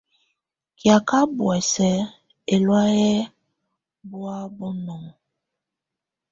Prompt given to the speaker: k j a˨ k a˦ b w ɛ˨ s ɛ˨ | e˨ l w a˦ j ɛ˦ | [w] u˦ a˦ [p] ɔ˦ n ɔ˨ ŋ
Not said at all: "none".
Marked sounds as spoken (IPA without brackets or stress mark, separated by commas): b, b